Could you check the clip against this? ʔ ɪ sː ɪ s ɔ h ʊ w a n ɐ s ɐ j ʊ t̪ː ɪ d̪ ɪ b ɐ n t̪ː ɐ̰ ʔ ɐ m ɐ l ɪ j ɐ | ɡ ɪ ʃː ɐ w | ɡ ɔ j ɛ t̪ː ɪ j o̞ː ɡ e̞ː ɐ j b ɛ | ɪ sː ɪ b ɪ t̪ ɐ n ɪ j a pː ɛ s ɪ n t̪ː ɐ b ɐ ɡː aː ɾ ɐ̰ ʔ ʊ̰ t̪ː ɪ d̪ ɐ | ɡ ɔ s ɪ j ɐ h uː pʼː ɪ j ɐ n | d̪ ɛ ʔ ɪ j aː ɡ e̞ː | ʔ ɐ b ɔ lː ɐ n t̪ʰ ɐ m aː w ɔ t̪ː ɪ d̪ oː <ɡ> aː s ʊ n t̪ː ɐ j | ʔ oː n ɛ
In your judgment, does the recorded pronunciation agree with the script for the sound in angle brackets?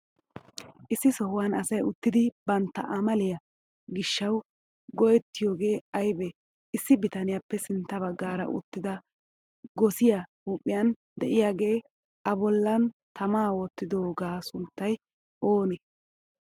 yes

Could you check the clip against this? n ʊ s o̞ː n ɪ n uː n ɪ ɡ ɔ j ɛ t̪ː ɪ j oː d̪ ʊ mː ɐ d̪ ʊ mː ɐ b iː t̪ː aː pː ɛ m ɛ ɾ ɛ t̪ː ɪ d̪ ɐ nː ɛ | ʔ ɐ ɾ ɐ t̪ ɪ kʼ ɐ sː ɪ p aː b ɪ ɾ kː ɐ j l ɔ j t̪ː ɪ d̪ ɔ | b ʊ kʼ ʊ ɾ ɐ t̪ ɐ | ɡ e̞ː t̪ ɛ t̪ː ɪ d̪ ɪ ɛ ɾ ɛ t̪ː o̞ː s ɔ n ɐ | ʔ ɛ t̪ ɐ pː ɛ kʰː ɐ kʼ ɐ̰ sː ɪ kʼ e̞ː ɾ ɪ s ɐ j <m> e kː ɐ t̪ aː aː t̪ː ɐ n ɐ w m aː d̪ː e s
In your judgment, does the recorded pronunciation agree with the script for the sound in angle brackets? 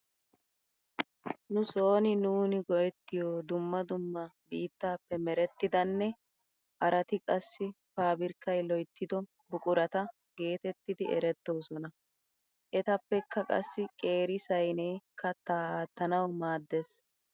no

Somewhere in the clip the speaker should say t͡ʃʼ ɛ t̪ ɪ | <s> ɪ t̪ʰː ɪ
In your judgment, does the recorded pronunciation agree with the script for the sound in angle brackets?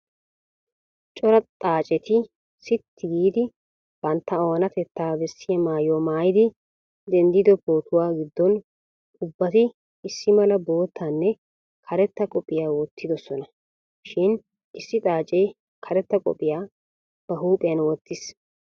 yes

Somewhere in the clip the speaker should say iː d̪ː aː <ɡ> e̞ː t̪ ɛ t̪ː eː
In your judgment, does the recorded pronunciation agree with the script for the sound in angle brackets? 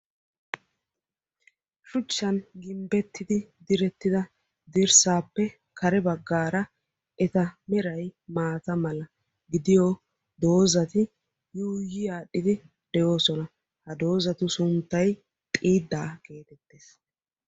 no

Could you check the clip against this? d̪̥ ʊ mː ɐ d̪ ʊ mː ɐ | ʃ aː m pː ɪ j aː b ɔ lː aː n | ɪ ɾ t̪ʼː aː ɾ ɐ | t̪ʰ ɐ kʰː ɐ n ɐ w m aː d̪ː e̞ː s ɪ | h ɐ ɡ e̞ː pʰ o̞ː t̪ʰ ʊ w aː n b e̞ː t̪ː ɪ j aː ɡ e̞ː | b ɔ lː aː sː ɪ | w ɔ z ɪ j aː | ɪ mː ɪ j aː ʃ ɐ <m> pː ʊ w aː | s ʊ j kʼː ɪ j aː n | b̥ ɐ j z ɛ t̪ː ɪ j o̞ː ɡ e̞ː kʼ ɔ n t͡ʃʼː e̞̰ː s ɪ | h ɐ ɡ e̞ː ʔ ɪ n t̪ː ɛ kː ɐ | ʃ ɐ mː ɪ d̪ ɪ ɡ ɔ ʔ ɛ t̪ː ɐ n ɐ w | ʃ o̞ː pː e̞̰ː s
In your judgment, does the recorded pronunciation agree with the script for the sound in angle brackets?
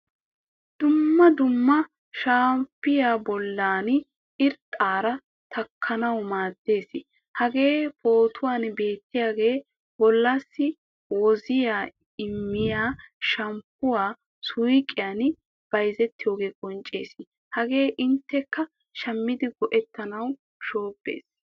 yes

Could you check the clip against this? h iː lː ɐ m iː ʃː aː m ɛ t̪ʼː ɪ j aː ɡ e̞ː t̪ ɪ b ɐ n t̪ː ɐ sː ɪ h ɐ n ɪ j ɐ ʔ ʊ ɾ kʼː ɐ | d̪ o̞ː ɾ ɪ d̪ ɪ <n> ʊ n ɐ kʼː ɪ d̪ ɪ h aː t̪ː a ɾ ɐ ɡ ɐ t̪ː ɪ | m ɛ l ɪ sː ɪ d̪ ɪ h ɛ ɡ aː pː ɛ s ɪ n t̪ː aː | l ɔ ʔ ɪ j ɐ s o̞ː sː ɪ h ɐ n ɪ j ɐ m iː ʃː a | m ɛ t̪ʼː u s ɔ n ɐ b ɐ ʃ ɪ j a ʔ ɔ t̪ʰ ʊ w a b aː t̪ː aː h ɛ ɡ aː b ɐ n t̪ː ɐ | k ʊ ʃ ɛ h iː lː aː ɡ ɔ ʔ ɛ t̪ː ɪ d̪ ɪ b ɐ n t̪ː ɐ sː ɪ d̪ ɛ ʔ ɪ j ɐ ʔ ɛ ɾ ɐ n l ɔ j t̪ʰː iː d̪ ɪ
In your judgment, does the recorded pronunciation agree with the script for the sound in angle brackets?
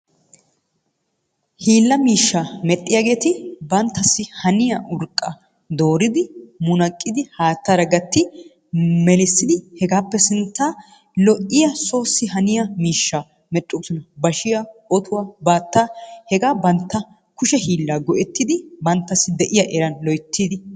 no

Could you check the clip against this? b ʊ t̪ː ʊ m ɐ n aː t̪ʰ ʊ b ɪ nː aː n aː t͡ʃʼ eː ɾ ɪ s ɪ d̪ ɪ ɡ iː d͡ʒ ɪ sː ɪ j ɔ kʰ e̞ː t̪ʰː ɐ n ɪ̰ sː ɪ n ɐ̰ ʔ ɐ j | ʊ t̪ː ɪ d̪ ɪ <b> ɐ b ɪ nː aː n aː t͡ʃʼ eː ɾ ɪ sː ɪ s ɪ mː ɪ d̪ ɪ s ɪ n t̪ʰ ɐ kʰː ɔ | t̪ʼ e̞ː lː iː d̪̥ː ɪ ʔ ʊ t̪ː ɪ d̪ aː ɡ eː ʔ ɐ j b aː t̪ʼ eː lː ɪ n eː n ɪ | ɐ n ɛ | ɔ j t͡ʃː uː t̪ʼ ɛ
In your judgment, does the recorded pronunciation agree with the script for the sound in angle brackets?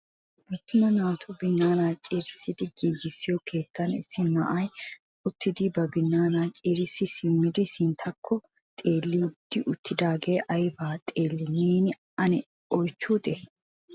yes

